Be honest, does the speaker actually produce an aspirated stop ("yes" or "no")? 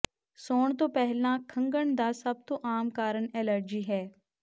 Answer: yes